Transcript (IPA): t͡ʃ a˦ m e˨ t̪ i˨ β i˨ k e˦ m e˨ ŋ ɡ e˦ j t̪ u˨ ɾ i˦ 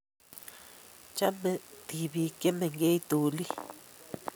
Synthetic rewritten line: t͡ʃ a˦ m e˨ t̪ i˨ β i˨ k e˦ m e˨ ŋ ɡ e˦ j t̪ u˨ l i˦